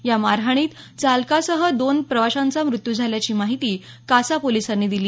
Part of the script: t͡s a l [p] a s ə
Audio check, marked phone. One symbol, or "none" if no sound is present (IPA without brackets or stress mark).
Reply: k